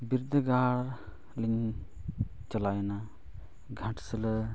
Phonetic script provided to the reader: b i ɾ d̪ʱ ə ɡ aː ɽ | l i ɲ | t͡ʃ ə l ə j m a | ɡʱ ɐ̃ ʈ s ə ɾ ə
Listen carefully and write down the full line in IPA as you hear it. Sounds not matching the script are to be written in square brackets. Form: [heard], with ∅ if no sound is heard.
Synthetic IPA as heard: b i ɾ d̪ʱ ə ɡ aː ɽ | l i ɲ | t͡ʃ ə l [a] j [n] a | ɡʱ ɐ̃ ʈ s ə [l] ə